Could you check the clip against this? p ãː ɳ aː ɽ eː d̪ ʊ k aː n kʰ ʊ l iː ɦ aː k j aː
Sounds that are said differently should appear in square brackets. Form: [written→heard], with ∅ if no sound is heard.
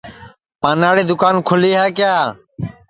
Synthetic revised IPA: p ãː [ɳ→n] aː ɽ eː d̪ ʊ k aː n kʰ ʊ l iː ɦ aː k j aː